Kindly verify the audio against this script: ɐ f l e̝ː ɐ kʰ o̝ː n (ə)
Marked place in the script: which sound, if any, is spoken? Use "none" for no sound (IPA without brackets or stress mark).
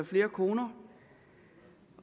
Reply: ɐ